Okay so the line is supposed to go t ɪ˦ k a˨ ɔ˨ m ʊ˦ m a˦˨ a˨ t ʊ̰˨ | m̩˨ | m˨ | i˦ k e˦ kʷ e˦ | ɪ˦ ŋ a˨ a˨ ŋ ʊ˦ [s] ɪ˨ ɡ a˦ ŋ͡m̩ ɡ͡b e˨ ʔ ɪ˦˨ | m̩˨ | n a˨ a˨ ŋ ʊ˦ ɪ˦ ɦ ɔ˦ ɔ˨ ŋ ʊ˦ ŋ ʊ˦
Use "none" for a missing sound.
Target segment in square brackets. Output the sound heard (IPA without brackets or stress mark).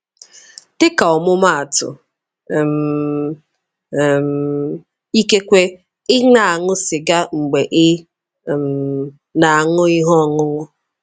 s